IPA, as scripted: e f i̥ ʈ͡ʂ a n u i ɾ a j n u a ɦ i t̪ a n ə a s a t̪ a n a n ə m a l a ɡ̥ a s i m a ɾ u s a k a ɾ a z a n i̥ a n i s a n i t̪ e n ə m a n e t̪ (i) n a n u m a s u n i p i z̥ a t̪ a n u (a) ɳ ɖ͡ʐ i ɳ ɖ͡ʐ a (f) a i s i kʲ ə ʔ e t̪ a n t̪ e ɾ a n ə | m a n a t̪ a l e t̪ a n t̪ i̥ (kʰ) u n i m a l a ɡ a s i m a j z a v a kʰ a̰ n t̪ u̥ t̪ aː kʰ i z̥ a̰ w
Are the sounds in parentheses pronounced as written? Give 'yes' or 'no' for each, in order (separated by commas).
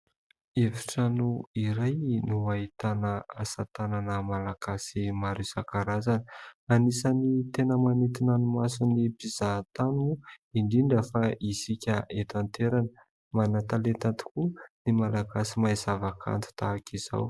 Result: yes, no, yes, no